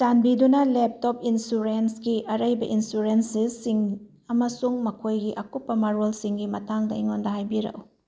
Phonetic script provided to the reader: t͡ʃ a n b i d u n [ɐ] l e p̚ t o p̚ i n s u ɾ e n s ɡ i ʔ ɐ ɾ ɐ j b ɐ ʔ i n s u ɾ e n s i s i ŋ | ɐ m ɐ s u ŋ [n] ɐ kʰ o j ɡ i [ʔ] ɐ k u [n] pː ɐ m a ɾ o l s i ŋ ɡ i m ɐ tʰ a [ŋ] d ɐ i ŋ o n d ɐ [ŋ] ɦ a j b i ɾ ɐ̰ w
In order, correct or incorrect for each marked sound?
correct, incorrect: m, correct, incorrect: none, correct, incorrect: none

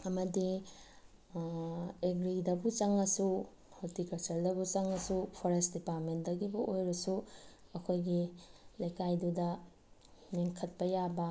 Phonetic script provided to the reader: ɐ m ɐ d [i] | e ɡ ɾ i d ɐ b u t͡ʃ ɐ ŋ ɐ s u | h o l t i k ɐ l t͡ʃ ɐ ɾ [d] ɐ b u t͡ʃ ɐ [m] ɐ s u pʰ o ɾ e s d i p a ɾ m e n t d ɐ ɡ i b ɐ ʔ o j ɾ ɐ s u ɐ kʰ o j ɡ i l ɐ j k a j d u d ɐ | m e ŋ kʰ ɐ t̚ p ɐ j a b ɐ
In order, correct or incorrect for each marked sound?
correct, correct, incorrect: ŋ

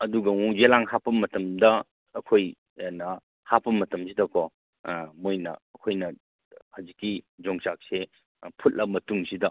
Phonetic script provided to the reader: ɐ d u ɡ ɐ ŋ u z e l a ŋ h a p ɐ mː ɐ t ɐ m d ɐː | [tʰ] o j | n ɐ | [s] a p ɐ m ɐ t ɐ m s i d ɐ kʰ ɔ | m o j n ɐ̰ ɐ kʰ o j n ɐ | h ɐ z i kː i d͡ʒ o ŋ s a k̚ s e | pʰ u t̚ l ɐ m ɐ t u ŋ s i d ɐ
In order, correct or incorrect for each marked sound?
incorrect: kʰ, incorrect: h

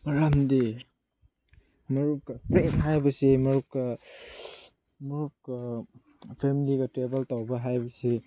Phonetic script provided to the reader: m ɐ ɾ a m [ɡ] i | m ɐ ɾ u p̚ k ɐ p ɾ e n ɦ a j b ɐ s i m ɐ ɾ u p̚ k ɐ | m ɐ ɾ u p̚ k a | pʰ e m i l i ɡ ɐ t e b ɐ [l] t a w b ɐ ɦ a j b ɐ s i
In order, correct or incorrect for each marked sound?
incorrect: d, correct

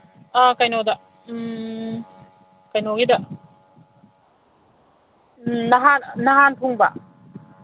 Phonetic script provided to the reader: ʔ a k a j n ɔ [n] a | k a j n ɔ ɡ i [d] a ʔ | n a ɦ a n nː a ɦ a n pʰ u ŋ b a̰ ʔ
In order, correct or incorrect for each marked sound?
incorrect: d, correct

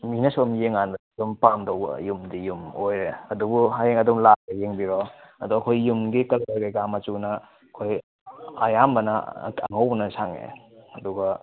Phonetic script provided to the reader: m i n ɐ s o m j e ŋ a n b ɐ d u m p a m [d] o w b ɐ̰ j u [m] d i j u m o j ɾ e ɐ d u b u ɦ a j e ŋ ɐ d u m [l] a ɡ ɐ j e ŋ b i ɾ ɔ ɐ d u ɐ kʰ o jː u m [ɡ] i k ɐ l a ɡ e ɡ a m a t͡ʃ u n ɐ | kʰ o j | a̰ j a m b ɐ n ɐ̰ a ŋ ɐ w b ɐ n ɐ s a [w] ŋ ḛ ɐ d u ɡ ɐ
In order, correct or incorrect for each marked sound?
correct, correct, correct, correct, incorrect: none

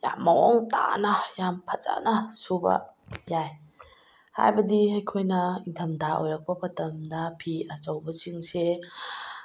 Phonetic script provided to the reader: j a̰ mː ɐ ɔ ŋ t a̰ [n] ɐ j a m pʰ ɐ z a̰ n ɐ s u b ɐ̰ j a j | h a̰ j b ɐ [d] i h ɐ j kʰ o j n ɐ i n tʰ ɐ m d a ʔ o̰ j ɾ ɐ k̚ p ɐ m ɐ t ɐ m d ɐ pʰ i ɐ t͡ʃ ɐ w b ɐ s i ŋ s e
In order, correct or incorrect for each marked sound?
correct, correct

